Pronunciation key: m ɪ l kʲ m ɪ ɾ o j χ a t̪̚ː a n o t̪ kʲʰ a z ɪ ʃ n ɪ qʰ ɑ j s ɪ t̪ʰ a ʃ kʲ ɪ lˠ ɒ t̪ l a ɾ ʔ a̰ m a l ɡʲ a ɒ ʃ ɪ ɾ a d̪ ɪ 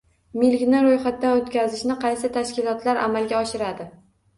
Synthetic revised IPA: m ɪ l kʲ n ɪ ɾ o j χ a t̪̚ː a n o t̪ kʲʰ a z ɪ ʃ n ɪ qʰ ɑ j s ɪ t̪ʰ a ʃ kʲ ɪ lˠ ɒ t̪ l a ɾ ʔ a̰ m a l ɡʲ a ɒ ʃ ɪ ɾ a d̪ ɪ